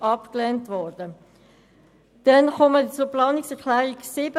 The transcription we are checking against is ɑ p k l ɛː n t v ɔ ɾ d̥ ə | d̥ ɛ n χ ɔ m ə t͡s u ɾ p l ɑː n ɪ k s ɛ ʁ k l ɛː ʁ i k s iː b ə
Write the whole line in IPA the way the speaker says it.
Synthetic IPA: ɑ p k l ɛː n t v ɔ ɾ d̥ ə | d̥ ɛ n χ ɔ m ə t͡s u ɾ p l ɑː n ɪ k s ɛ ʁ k l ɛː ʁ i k s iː b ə